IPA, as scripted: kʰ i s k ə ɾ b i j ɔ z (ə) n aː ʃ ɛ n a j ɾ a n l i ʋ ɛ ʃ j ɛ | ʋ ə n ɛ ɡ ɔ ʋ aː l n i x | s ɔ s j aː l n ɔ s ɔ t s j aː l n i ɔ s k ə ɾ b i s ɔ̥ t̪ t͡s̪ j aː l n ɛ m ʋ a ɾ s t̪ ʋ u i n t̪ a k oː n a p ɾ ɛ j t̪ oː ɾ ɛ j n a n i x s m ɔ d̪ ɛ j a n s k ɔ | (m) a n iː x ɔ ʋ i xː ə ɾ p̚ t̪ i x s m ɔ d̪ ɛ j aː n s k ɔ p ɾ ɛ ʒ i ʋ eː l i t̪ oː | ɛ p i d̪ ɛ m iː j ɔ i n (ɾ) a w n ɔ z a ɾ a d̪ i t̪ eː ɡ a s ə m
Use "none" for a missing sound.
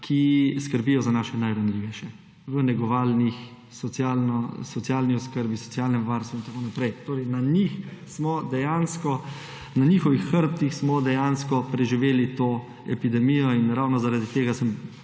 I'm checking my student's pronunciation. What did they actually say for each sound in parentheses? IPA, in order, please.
a, n, ɾ

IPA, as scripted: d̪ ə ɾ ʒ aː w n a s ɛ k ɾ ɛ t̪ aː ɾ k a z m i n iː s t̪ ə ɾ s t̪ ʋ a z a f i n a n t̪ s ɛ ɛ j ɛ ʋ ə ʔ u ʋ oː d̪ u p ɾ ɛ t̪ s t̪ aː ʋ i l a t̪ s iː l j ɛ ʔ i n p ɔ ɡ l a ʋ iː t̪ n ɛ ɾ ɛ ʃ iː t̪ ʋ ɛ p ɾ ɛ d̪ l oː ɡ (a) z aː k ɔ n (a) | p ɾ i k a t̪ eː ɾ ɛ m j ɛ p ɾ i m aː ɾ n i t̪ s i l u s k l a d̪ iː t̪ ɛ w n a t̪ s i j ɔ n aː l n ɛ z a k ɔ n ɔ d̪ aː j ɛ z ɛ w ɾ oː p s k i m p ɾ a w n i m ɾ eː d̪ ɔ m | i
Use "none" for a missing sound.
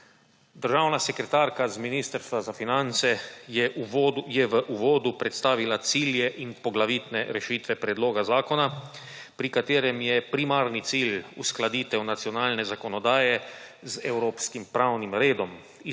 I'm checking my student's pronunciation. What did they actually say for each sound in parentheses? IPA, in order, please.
a, a

